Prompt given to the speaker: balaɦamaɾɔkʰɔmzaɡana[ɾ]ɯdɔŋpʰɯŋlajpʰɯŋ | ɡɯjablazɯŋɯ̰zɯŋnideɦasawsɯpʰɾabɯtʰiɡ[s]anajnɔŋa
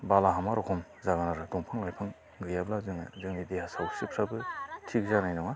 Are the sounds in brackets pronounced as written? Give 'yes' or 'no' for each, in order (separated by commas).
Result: yes, no